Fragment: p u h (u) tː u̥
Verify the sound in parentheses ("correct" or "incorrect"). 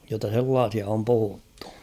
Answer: correct